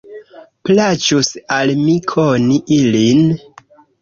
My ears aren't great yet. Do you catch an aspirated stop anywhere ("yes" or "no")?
yes